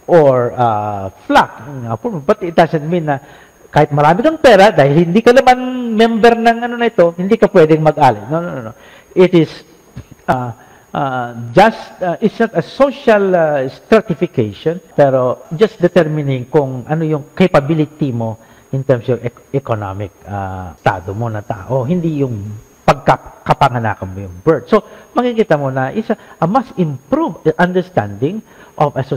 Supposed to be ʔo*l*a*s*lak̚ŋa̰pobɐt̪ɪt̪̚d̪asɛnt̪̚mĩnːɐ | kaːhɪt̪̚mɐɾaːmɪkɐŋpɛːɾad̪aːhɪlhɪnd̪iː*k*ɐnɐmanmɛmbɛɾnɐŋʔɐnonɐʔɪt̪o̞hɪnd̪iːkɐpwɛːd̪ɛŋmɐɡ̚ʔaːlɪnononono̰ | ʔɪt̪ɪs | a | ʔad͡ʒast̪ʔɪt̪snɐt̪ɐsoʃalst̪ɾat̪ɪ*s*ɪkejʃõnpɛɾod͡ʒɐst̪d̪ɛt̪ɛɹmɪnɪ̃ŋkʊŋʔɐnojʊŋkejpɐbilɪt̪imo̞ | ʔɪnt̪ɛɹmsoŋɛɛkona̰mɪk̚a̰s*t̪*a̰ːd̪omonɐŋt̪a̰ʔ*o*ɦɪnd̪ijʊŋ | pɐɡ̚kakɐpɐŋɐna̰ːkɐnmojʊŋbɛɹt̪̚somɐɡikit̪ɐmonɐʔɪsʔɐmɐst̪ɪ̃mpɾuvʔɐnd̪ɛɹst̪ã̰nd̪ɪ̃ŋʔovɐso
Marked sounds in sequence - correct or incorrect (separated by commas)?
incorrect, incorrect, correct, incorrect, correct, correct